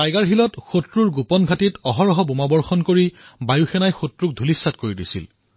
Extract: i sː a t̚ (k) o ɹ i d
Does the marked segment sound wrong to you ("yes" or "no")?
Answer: no